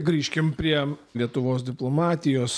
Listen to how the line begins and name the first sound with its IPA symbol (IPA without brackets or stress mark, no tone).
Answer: ɡ